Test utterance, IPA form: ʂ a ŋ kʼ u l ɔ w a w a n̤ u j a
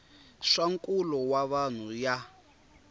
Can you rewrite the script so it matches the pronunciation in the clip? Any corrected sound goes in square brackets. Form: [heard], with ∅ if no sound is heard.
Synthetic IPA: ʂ a ŋ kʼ u l ɔ w a [β] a n̤ u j a